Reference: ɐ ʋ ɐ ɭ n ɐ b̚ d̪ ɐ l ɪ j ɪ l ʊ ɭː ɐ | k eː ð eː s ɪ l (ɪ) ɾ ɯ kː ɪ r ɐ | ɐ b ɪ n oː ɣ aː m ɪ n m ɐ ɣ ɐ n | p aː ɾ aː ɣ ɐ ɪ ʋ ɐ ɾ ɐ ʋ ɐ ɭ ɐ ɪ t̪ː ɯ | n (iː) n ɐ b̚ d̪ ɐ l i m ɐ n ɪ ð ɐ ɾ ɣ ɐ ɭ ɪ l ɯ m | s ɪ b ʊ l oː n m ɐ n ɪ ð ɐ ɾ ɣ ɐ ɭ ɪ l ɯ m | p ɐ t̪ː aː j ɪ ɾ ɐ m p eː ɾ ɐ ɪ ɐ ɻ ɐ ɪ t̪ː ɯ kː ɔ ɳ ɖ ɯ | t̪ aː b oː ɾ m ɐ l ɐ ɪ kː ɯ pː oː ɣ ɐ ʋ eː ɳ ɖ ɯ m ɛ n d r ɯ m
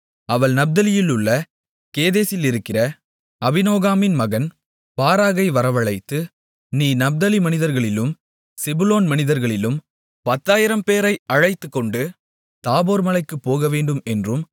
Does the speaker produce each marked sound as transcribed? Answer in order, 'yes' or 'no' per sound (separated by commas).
yes, yes